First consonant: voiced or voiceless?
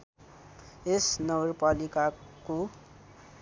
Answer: voiceless